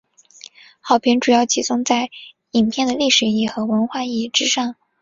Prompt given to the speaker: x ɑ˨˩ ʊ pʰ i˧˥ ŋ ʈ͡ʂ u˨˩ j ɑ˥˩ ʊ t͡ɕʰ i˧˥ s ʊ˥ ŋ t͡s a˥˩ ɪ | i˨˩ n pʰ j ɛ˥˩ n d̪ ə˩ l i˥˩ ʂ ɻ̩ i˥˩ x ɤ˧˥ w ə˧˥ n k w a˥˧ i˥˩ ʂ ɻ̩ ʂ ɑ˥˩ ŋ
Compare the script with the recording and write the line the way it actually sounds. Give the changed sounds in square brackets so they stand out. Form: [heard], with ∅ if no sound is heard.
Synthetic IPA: x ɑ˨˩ ʊ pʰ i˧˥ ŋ ʈ͡ʂ u˨˩ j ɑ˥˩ ʊ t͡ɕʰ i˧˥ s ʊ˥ ŋ t͡s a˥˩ ɪ | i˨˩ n pʰ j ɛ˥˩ n d̪ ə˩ l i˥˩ ʂ ɻ̩ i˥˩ x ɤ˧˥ w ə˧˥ n [x] w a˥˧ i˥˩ [ʈ͡ʂ] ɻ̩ ʂ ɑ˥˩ ŋ

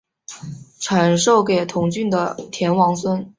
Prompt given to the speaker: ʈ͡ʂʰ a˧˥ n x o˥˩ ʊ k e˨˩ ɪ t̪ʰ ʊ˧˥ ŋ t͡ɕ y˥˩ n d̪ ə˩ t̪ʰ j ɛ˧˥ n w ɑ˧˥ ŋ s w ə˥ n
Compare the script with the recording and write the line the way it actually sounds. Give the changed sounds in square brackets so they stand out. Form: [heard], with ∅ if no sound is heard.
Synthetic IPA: ʈ͡ʂʰ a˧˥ n [ʂ] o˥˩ ʊ k e˨˩ ɪ t̪ʰ ʊ˧˥ ŋ t͡ɕ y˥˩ n d̪ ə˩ t̪ʰ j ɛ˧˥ n w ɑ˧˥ ŋ s w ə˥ n

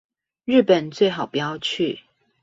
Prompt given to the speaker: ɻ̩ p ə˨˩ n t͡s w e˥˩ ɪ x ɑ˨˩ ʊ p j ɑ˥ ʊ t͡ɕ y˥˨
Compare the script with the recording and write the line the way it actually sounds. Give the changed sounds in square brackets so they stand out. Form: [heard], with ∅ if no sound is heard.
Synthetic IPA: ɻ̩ p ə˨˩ n t͡s w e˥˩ ɪ x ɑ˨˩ ʊ p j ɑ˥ ʊ [t͡ɕʰ] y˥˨

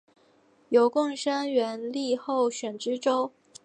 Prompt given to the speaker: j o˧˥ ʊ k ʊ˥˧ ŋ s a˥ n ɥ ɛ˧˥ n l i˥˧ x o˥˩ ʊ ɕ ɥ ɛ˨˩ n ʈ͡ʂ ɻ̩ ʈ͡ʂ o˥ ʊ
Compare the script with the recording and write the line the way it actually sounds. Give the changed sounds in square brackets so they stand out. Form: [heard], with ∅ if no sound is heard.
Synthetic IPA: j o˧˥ ʊ k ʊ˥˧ ŋ [ʂ] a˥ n ɥ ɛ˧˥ n l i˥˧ x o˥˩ ʊ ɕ ɥ ɛ˨˩ n ʈ͡ʂ ɻ̩ ʈ͡ʂ o˥ ʊ

